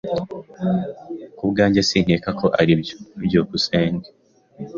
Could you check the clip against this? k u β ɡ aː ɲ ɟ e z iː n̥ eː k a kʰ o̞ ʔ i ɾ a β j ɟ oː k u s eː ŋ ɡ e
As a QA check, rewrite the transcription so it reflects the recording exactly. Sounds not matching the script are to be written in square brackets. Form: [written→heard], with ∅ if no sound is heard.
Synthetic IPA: k u β ɡ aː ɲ ɟ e [z→s] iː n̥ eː k a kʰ o̞ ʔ [i→a] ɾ [a→i] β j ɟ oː k u s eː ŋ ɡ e